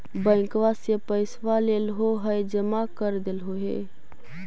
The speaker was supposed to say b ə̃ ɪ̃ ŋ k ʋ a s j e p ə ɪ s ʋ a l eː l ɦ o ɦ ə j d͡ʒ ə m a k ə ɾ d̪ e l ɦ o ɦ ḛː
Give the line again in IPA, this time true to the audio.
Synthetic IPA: b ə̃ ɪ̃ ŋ k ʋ a s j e p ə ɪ s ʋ a l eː l ɦ o ɦ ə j d͡ʒ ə m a k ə ɾ d̪ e l ɦ o ɦ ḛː